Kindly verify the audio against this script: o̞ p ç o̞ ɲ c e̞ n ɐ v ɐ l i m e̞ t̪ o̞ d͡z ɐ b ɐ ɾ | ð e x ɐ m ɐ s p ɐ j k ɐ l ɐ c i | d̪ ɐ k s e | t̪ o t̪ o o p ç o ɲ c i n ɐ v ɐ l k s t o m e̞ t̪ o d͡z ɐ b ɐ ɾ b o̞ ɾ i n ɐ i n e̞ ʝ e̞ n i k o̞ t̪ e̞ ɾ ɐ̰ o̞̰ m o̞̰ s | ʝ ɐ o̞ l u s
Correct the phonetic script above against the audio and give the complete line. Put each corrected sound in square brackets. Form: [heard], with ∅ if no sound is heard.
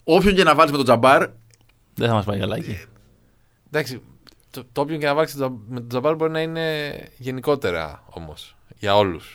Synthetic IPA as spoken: o̞ p ç o̞ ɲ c e̞ n ɐ v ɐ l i m e̞ t̪ o̞ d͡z ɐ b ɐ ɾ | ð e [θ] ɐ m ɐ s p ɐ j k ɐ l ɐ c i | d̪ ɐ k s [i] | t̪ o t̪ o o p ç o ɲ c [e] n ɐ v ɐ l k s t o m e̞ t̪ o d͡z ɐ b ɐ ɾ b o̞ ɾ i n ɐ i n e̞ ʝ e̞ n i k o̞ t̪ e̞ ɾ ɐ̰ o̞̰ m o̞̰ s | ʝ ɐ o̞ l u s